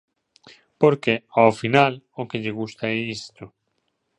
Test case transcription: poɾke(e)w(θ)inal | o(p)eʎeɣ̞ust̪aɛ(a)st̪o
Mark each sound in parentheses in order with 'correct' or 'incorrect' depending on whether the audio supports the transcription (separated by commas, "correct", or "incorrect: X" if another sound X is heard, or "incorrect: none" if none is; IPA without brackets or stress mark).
incorrect: a, incorrect: f, incorrect: k, incorrect: i